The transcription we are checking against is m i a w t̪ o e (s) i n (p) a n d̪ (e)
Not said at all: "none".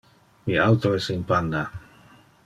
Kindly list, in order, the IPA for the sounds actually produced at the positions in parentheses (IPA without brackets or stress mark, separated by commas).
s, p, a